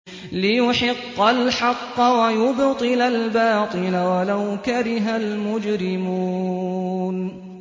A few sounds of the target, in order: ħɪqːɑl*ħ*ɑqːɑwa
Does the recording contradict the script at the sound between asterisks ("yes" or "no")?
no